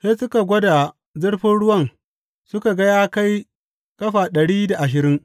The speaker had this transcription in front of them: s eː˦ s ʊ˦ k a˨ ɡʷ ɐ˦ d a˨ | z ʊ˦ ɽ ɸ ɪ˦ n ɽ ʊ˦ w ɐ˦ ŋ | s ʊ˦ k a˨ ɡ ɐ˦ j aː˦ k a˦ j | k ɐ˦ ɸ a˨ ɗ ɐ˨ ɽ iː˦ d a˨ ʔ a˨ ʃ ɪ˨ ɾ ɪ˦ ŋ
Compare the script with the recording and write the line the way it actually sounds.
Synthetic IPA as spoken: s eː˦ s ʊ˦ k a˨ ɡʷ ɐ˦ d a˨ | z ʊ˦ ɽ ɸ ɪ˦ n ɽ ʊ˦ w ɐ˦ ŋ | s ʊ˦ k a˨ ɡ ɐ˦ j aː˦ k a˦ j | k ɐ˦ ɸ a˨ ɗ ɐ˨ ɽ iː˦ d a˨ ʔ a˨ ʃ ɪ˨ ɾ ɪ˦ ŋ